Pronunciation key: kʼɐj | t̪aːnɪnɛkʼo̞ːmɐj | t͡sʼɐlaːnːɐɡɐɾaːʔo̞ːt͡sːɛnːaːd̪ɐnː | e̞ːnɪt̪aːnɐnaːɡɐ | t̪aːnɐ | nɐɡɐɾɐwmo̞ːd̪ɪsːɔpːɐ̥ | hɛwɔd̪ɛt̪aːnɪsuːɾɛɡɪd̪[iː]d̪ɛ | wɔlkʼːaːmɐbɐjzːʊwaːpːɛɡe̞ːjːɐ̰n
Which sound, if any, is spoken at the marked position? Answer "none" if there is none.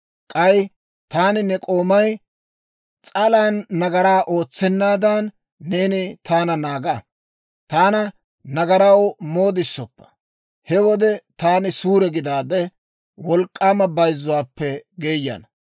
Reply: aː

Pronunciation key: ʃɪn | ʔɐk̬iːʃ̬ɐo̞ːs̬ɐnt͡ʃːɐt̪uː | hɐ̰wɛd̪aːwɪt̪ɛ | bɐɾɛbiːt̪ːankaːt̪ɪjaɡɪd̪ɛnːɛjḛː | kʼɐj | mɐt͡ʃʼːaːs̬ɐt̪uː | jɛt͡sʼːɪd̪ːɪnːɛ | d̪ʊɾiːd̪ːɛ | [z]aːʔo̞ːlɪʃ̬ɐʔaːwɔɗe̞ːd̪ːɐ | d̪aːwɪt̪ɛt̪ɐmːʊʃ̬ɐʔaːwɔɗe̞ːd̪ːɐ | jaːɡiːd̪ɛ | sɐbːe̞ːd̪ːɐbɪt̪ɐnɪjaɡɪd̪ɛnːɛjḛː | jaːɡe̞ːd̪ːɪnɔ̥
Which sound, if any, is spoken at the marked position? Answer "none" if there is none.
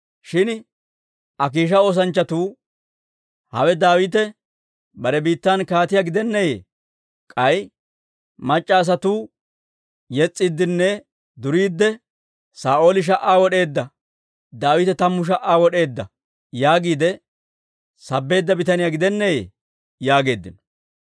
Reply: s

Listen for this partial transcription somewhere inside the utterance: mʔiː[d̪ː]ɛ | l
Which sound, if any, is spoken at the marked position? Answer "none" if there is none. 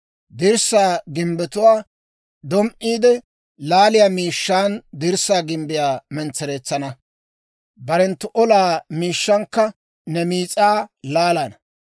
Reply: d̪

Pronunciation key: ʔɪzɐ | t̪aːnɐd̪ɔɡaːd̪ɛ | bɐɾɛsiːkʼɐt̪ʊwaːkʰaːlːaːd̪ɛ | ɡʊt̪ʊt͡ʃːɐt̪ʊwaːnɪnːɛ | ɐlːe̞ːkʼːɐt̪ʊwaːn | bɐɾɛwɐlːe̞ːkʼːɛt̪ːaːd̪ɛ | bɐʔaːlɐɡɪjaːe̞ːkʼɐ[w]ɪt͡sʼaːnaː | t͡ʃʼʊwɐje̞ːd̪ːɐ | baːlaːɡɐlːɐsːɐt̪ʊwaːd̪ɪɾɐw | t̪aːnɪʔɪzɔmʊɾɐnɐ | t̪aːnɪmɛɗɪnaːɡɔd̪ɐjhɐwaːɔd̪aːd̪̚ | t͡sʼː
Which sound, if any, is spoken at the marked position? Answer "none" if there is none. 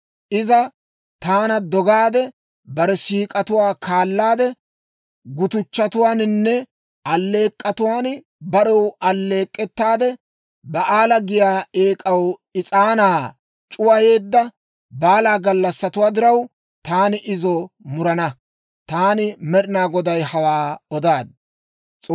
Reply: w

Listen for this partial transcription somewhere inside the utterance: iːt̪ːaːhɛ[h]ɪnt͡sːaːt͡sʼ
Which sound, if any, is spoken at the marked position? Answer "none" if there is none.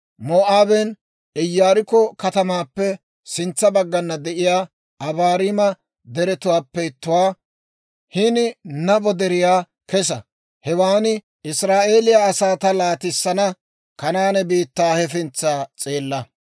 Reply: f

